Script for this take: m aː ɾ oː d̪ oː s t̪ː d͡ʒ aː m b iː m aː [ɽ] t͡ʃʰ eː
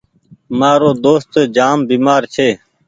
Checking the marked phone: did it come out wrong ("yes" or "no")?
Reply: yes